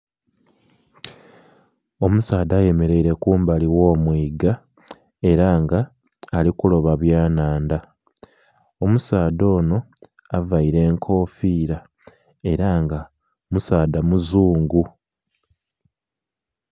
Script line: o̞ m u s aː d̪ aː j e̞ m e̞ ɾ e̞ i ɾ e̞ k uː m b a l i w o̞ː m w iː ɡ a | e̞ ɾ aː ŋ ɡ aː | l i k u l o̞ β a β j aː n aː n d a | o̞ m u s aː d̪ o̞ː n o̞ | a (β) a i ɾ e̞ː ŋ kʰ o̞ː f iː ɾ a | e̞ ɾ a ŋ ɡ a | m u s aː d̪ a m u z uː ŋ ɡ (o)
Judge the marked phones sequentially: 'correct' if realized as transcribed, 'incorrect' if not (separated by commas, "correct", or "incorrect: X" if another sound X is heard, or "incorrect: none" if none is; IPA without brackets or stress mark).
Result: incorrect: v, incorrect: u